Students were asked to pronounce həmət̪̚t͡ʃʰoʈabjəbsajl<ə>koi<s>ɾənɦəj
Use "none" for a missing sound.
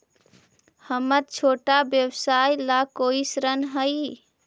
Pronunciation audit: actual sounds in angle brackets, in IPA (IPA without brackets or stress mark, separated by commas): a, s